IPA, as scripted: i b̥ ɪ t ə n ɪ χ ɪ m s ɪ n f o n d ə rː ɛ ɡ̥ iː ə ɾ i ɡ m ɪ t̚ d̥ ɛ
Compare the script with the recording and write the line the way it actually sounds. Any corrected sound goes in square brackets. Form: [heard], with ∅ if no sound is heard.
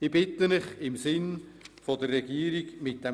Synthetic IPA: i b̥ ɪ t ə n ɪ χ ɪ m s ɪ n f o [∅] d ə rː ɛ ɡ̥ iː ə ɾ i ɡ m ɪ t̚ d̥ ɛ